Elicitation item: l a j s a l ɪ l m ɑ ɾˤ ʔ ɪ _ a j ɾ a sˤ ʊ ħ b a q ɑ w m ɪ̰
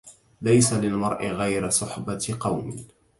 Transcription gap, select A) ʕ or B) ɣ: B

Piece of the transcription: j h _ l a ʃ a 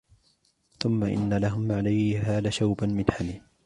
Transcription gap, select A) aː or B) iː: A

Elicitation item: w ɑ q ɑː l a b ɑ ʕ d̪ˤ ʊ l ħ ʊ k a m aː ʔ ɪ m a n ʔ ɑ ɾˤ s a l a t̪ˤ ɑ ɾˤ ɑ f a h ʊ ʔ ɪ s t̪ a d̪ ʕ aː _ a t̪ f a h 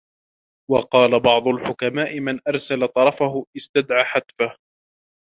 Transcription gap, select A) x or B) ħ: B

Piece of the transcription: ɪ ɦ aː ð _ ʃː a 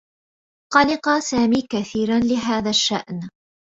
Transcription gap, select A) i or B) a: B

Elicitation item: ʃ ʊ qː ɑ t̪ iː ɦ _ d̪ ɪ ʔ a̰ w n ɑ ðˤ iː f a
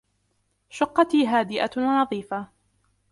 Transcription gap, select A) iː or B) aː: B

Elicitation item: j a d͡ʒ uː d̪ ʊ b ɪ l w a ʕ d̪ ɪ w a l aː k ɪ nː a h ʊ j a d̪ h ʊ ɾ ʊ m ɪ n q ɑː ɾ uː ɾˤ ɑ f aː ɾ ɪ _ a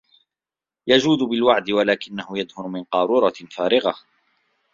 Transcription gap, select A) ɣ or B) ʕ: A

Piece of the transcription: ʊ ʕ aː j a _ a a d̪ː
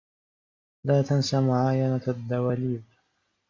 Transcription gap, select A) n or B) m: A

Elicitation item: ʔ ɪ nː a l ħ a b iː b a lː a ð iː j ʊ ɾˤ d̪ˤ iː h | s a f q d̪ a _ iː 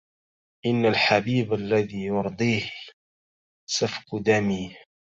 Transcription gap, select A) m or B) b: A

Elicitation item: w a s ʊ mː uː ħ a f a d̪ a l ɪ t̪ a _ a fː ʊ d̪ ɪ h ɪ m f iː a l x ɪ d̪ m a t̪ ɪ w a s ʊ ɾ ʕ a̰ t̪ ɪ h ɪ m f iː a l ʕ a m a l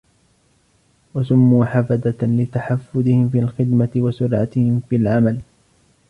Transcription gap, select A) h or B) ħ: B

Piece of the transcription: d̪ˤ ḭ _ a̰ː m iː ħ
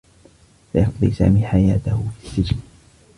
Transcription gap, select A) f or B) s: B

